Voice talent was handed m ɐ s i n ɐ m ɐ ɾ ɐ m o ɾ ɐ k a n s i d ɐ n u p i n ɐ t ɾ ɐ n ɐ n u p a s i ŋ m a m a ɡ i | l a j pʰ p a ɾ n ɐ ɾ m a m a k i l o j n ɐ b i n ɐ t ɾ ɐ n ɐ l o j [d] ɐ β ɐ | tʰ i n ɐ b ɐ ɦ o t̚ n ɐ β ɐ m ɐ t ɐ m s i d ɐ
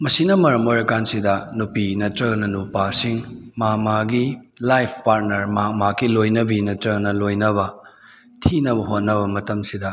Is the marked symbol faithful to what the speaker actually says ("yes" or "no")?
no